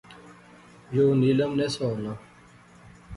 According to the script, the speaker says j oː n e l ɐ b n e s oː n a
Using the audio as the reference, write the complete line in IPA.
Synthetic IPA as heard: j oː n i l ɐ m n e s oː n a